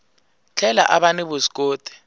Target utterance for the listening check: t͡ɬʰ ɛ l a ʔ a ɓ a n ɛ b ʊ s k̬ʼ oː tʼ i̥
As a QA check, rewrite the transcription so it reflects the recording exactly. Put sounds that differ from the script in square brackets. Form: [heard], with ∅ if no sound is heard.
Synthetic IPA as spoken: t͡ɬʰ ɛ l a ʔ a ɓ a n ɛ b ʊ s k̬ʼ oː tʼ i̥